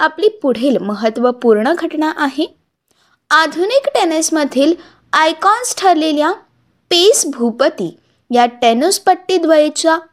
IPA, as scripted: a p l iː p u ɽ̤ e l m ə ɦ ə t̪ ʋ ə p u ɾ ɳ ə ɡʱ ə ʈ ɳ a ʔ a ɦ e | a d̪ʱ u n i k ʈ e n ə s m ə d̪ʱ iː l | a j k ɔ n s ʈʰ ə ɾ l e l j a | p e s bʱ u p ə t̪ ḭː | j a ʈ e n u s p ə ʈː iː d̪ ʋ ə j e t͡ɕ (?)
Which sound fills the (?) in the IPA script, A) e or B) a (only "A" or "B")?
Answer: B